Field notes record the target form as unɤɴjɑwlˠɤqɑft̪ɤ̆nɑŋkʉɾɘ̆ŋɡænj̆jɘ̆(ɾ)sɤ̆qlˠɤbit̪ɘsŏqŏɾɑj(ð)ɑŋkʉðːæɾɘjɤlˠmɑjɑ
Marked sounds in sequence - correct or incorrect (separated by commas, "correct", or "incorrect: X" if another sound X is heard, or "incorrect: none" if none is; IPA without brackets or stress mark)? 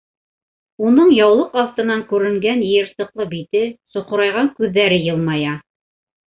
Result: correct, incorrect: ʁ